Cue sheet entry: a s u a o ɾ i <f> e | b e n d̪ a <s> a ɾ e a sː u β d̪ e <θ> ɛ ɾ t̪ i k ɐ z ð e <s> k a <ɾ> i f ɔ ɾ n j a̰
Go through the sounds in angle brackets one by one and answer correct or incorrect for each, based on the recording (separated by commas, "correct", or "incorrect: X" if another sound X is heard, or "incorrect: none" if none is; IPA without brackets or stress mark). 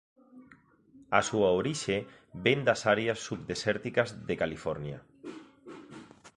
incorrect: ʃ, correct, incorrect: s, incorrect: none, incorrect: l